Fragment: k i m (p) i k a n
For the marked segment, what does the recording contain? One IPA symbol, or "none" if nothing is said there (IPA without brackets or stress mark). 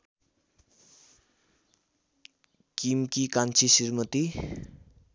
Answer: k